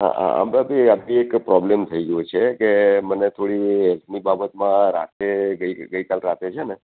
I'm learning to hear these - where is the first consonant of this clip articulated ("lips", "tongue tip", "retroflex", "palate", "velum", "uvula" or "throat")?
throat